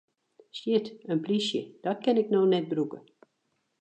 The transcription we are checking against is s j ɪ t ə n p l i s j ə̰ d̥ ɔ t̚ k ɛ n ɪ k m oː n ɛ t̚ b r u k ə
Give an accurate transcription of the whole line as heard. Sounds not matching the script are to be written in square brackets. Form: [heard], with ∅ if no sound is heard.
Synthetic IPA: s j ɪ t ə n p l i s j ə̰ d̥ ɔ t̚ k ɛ n ɪ k [n] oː n ɛ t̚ b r u k ə